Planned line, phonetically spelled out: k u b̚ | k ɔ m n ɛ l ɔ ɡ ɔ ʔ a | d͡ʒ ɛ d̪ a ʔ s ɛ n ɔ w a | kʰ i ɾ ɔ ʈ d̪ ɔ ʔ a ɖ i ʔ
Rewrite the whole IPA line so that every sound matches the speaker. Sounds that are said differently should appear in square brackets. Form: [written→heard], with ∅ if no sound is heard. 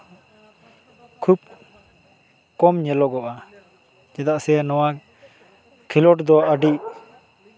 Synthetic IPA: [k→kʰ] u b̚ | k ɔ m [n→ɲ] ɛ l ɔ ɡ ɔ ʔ a | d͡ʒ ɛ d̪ a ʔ s ɛ n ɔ w a | kʰ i [ɾ→l] ɔ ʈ d̪ ɔ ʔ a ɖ i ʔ

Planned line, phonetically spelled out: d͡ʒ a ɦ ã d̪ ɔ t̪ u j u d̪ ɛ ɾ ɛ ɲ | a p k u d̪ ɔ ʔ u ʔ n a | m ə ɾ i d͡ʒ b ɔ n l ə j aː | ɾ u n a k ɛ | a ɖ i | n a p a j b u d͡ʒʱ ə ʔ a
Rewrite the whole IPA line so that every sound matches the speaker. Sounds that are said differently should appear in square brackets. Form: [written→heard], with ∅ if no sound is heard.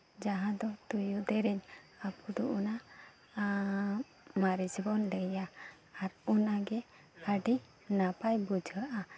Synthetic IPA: d͡ʒ a ɦ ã d̪ ɔ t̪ u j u d̪ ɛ ɾ ɛ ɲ | a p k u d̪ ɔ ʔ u [ʔ→∅] n a | m [ə→a] ɾ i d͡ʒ b ɔ n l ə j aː | ɾ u n a [k→ɡ] ɛ | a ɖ i | n a p a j b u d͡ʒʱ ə ʔ a

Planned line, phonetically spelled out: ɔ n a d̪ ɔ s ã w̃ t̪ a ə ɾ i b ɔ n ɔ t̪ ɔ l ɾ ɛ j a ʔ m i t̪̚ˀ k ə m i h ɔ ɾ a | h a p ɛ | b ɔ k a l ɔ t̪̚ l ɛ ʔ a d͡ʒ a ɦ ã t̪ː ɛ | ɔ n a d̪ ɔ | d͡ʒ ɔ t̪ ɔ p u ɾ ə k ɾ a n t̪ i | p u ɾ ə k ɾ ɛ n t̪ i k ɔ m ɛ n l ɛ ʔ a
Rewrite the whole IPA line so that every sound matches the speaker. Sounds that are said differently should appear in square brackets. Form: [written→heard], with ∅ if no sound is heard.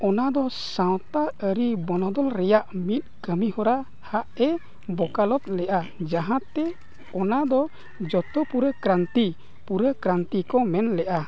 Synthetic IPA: ɔ n a d̪ ɔ s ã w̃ t̪ a ə ɾ i b ɔ n ɔ [t̪→d̪] ɔ l ɾ ɛ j a ʔ m i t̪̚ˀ k ə m i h ɔ ɾ a | h a [p→ʔ] ɛ | b ɔ k a l ɔ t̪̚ l ɛ ʔ a d͡ʒ a ɦ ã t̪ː ɛ | ɔ n a d̪ ɔ | d͡ʒ ɔ t̪ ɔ p u ɾ ə k ɾ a n t̪ i | p u ɾ ə k ɾ [ɛ→a] n t̪ i k ɔ m ɛ n l ɛ ʔ a

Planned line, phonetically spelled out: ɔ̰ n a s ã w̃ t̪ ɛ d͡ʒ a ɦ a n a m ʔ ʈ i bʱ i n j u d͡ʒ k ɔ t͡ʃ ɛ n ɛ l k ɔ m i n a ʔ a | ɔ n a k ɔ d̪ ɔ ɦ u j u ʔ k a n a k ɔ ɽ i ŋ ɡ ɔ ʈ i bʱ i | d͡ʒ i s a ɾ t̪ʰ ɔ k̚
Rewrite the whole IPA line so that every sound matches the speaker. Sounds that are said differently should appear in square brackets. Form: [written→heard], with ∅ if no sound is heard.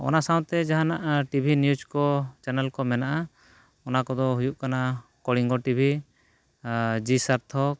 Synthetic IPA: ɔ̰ n a s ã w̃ t̪ ɛ d͡ʒ a ɦ a n a [m→∅] ʔ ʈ i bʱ i n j u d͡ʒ k ɔ t͡ʃ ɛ n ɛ l k ɔ m [i→ɛ] n a ʔ a | ɔ n a k ɔ d̪ ɔ ɦ u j u ʔ k a n a k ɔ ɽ i ŋ ɡ ɔ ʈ i bʱ i | d͡ʒ i s a ɾ t̪ʰ ɔ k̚

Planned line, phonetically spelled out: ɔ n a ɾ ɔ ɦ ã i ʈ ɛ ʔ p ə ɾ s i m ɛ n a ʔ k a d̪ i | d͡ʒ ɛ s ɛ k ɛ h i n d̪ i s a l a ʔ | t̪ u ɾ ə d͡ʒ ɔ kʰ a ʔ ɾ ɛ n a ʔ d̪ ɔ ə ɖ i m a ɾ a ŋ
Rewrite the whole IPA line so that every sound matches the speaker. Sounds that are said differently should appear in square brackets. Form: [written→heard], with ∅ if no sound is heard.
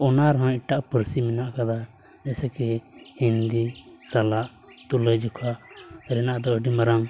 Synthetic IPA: ɔ n a ɾ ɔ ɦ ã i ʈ [ɛ→a] ʔ p ə ɾ s i m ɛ n a ʔ k a d̪ [i→a] | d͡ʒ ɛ s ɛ k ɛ h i n d̪ i s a l a ʔ | t̪ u [ɾ→l] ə d͡ʒ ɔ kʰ a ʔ ɾ ɛ n a ʔ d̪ ɔ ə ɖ i m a ɾ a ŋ

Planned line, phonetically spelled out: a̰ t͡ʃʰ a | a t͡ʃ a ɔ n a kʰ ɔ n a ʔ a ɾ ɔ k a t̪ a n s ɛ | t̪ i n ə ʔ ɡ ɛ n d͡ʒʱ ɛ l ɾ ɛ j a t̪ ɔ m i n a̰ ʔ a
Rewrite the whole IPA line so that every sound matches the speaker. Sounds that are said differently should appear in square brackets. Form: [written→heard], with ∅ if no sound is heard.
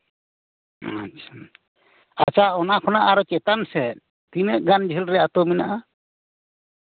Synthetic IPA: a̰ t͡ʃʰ a | a t͡ʃ a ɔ n a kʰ ɔ n a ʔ a ɾ ɔ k [a→ɛ] t̪ a n s ɛ | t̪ i n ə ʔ ɡ [ɛ→a] n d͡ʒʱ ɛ l ɾ ɛ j a t̪ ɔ m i n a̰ ʔ a

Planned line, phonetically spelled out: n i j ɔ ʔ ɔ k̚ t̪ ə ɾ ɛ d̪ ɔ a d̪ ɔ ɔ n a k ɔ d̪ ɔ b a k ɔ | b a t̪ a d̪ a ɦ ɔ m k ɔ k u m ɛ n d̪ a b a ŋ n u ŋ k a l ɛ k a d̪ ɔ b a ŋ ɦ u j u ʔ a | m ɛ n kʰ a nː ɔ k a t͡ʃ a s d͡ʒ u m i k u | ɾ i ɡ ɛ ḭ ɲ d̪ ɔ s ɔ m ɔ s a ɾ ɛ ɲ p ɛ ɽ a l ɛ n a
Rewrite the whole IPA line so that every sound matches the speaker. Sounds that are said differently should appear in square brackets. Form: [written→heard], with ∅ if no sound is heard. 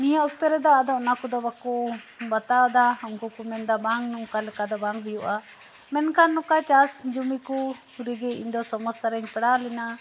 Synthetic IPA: n i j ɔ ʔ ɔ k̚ t̪ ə ɾ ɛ d̪ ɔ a d̪ ɔ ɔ n a k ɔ d̪ ɔ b a k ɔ | b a t̪ a d̪ a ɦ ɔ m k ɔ k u m ɛ n d̪ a b a ŋ n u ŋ k a l ɛ k a d̪ ɔ b a ŋ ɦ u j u ʔ a | m ɛ n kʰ a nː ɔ k a t͡ʃ a s d͡ʒ u m i k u | ɾ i ɡ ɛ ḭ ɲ d̪ ɔ s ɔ m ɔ s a ɾ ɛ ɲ p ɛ ɽ a l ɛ n a

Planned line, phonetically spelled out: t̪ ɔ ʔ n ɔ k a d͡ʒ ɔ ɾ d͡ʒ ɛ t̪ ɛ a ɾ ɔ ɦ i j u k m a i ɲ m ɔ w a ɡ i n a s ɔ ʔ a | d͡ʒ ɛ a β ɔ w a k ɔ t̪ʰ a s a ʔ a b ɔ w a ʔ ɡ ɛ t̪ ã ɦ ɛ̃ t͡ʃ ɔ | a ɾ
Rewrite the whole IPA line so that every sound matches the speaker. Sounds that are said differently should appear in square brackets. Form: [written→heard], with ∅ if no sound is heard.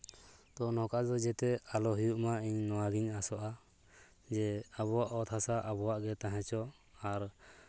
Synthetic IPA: t̪ ɔ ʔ n ɔ k a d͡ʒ ɔ [ɾ→∅] d͡ʒ ɛ t̪ ɛ a [ɾ→l] ɔ ɦ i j u [k→ʔ] m a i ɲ [m→n] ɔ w a ɡ i [n→ɲ] a s ɔ ʔ a | d͡ʒ ɛ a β ɔ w a [k→ʔ] ɔ t̪ʰ a s a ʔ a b ɔ w a ʔ ɡ ɛ t̪ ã ɦ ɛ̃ t͡ʃ ɔ | a ɾ

